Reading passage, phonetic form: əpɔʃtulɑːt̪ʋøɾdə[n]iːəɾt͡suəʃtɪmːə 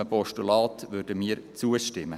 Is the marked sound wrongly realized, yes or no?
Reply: yes